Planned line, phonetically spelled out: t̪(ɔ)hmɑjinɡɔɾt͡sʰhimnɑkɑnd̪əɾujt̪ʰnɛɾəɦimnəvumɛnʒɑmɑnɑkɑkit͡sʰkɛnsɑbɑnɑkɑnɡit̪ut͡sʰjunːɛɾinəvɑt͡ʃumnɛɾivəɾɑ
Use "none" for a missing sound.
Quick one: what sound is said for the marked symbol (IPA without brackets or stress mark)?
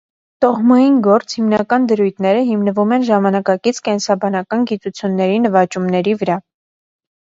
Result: ɔ